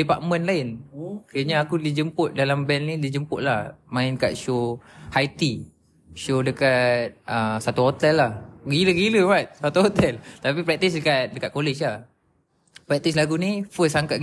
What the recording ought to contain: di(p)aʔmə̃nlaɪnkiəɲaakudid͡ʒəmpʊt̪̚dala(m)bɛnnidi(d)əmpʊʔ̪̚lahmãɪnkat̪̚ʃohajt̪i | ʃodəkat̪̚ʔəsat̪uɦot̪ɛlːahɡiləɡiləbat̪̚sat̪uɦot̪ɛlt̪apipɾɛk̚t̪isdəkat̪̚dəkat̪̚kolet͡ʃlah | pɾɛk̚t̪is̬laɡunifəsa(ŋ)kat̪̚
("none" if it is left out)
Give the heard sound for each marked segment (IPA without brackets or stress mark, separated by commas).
p, m, d͡ʒ, ŋ